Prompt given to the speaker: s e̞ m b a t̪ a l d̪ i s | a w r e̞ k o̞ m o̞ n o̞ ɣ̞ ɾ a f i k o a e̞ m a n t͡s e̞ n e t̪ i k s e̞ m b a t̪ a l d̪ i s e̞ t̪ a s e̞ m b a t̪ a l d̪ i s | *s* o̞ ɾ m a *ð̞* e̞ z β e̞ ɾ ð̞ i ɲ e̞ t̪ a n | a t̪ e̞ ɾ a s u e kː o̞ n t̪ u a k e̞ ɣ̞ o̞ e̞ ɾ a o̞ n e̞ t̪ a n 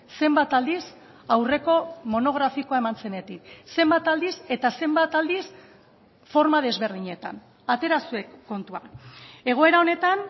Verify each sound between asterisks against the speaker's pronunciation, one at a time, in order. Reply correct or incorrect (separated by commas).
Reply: incorrect, correct